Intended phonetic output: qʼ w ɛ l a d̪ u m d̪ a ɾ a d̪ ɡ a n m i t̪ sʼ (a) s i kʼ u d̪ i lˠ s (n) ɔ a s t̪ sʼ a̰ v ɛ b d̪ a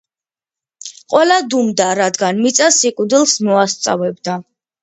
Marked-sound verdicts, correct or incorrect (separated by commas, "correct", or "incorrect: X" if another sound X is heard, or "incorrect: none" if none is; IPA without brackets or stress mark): correct, incorrect: m